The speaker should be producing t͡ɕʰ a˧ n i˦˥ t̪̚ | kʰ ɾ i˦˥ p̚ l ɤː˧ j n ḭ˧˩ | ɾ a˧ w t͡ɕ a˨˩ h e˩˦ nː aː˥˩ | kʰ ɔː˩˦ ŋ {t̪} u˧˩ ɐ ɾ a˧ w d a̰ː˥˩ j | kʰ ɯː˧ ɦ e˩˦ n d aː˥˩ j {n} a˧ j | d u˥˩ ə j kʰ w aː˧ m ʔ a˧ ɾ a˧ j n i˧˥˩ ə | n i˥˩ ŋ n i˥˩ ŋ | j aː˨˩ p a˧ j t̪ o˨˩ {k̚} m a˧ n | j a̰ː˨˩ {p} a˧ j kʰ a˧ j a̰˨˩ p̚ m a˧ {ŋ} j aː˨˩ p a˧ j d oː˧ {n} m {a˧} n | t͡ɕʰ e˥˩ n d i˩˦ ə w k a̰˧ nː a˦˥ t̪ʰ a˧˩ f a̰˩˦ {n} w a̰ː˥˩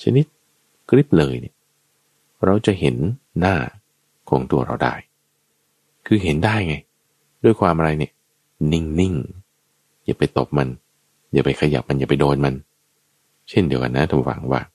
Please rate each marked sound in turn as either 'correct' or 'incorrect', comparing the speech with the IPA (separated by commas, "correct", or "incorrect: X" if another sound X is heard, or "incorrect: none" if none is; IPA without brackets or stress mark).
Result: correct, incorrect: ŋ, incorrect: p̚, correct, incorrect: n, correct, correct, incorrect: ŋ